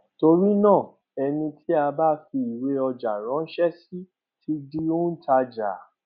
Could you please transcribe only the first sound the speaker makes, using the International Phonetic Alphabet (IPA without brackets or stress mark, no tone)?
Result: t